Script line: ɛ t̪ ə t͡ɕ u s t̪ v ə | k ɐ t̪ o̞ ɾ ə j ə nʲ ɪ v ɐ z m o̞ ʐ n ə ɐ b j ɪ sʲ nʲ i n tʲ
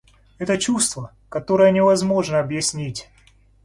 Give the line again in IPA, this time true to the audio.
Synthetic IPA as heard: ɛ t̪ ə t͡ɕ u s t̪ v ə | k ɐ t̪ o̞ ɾ ə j ə nʲ ɪ v ɐ z m o̞ ʐ n ə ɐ b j ɪ sʲ nʲ i tʲ